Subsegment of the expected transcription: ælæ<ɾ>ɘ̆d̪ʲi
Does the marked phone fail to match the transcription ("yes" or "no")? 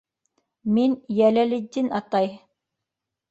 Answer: yes